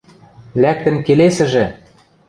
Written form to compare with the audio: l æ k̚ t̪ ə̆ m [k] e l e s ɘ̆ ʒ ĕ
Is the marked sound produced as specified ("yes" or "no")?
yes